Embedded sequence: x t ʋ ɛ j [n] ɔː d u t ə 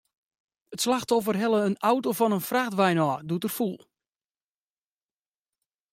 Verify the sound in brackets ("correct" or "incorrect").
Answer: correct